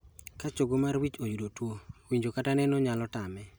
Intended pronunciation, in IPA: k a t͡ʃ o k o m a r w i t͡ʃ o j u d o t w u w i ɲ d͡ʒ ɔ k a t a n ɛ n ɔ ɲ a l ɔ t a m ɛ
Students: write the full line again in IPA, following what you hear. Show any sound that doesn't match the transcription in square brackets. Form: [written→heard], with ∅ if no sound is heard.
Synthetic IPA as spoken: k a t͡ʃ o [k→ɡ] o m a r w i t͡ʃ o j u d o t w [u→o] w i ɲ d͡ʒ [ɔ→o] k a t a n ɛ n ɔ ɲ a l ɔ t a m ɛ